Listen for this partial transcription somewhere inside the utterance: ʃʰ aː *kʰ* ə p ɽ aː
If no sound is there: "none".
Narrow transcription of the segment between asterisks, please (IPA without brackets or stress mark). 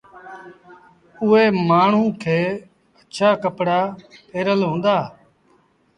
k